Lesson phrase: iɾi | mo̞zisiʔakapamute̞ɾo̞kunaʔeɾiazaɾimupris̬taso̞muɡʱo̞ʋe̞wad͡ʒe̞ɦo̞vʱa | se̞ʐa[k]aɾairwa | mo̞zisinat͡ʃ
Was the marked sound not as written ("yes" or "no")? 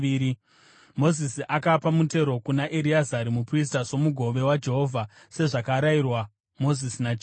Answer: no